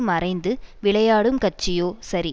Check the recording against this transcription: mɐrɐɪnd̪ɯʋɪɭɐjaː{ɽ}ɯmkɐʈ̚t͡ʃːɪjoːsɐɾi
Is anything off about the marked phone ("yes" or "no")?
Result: no